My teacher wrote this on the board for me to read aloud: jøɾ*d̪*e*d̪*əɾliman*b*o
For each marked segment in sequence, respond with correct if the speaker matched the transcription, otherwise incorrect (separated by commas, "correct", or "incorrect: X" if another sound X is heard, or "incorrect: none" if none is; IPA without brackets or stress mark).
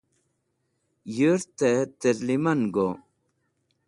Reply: incorrect: t̪, incorrect: t̪, incorrect: ɡ